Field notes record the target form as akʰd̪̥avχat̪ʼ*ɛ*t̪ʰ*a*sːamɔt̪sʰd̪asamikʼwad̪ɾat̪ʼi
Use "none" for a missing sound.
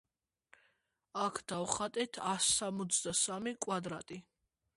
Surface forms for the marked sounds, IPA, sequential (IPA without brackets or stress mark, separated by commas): ɛ, a